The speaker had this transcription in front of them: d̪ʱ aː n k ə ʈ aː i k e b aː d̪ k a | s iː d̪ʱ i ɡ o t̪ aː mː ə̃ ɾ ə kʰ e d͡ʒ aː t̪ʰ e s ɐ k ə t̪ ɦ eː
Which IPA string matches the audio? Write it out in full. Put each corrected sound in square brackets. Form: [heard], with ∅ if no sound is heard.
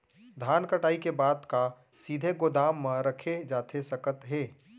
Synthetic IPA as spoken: d̪ʱ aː n k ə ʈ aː i k e b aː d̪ k a | s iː d̪ʱ [e] ɡ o [d̪] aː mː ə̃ ɾ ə kʰ e d͡ʒ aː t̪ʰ e s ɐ k ə t̪ ɦ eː